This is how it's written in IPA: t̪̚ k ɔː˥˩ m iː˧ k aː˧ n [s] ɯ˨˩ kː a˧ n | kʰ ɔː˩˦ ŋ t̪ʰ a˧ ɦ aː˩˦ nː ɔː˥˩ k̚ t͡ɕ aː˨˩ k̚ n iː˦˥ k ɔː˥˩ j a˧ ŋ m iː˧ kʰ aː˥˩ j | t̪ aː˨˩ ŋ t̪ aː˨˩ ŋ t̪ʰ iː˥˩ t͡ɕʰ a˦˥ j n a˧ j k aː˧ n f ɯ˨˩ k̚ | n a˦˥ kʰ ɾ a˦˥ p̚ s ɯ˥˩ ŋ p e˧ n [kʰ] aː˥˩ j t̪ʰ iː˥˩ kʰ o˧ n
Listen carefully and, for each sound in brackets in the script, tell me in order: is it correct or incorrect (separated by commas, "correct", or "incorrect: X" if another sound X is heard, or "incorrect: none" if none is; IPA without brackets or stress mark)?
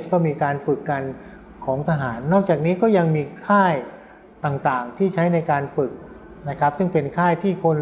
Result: incorrect: f, correct